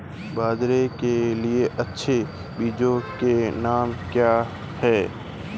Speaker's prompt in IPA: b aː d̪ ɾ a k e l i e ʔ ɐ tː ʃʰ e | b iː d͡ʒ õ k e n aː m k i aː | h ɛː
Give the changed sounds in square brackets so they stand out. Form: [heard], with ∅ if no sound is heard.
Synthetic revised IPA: b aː d̪ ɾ [e] k e l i e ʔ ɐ tː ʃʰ e | b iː d͡ʒ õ k e n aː m k [j] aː | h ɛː